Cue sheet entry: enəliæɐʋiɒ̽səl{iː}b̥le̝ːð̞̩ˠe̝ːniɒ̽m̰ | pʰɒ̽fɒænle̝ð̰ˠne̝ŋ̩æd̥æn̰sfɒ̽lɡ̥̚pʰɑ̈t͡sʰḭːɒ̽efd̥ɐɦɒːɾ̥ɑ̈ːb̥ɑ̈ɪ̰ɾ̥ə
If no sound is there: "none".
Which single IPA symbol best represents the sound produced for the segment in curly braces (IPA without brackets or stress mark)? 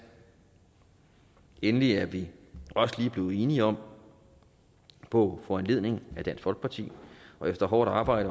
iː